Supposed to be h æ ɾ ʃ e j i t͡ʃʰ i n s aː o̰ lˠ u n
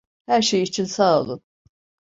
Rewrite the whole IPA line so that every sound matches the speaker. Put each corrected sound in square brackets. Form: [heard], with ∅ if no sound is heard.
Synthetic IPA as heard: h æ ɾ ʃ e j i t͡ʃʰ i n s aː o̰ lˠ u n